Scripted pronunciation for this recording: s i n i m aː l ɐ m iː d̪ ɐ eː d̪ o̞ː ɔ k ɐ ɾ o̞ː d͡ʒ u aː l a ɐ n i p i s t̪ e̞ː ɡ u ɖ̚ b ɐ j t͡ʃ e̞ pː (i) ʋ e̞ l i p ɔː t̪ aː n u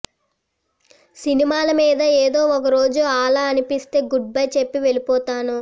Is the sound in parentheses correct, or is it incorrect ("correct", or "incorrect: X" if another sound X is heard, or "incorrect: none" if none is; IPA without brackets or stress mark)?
correct